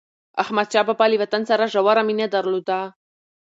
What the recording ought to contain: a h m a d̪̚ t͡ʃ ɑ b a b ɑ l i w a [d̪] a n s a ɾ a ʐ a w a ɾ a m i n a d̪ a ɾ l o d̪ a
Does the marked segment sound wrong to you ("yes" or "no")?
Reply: yes